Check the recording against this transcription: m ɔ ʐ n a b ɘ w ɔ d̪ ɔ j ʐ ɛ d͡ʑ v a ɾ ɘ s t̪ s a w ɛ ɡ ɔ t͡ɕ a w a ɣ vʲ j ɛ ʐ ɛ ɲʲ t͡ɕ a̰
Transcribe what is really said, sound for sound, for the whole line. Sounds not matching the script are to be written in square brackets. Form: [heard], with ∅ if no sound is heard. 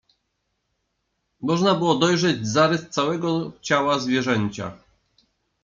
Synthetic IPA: m ɔ ʐ n a b ɘ w ɔ d̪ ɔ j ʐ ɛ d͡ʑ [z] a ɾ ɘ s t̪ s a w ɛ ɡ ɔ t͡ɕ a w a [z] vʲ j ɛ ʐ ɛ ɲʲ t͡ɕ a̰